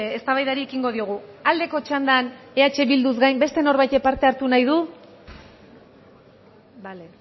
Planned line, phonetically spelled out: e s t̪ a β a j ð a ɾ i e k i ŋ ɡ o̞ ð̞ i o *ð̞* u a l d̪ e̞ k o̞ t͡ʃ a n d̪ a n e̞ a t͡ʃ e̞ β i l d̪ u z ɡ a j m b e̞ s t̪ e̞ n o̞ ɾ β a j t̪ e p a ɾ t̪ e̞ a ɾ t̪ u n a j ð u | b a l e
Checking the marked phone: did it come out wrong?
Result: yes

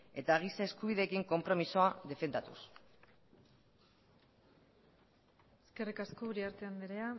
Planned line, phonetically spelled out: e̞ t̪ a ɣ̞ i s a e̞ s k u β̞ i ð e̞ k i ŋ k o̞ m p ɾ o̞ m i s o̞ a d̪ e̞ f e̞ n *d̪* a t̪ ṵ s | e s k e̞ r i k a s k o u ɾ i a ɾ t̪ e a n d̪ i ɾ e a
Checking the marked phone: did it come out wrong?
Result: no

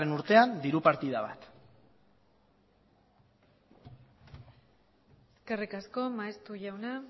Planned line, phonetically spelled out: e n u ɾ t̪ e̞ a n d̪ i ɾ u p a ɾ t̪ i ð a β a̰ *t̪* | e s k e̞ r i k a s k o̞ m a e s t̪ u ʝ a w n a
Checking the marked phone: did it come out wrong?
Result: no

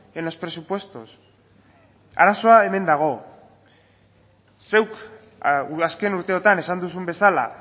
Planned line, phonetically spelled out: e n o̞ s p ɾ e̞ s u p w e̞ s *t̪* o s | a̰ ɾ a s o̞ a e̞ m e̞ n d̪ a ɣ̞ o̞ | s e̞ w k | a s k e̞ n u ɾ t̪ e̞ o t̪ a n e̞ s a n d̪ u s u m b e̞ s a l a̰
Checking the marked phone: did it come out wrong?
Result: no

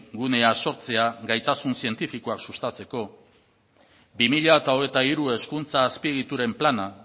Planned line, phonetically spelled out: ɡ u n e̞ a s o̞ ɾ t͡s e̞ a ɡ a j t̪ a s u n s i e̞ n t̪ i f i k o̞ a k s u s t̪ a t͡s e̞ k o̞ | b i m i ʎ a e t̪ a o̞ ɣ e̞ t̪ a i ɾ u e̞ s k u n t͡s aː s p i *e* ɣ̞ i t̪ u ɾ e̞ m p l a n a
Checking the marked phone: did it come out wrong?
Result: no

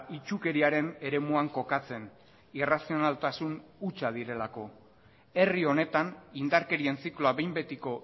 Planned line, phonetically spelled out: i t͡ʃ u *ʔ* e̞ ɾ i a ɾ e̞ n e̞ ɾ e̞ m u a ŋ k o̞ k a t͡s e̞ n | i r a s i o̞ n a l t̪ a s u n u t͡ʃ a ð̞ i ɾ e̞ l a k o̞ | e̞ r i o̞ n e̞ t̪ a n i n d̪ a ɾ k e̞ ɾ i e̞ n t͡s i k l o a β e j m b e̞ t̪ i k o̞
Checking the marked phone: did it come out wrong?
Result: yes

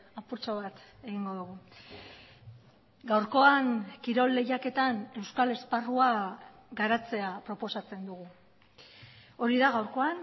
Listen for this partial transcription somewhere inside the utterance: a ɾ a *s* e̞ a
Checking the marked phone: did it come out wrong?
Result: yes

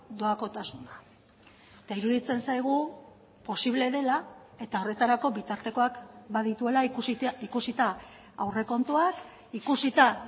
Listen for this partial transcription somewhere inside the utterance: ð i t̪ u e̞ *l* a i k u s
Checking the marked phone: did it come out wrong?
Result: no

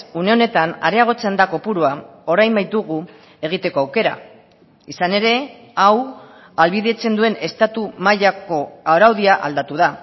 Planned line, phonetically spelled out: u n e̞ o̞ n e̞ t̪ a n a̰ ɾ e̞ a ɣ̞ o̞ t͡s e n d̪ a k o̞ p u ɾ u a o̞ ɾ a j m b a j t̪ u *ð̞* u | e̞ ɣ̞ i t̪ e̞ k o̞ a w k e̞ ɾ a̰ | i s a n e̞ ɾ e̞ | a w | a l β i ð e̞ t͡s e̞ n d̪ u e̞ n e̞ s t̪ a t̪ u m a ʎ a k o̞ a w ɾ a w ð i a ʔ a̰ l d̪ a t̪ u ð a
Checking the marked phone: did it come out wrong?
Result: yes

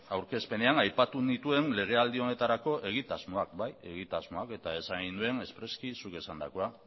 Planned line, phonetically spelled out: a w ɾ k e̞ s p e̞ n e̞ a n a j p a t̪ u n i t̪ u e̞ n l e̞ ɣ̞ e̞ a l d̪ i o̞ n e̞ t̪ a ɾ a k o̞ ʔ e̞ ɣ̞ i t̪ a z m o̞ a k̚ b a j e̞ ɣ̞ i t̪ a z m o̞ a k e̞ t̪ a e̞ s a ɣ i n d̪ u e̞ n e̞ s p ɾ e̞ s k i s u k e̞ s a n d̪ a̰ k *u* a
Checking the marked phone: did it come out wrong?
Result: yes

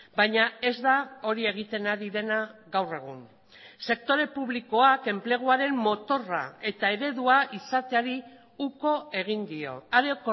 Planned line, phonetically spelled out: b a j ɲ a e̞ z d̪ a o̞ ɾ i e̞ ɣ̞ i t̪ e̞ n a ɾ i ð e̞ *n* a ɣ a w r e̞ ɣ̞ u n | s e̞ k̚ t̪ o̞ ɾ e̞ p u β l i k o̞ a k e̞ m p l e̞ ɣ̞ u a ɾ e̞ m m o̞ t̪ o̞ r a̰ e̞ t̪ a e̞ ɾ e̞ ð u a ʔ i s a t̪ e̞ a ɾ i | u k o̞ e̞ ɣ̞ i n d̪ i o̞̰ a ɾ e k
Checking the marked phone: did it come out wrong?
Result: no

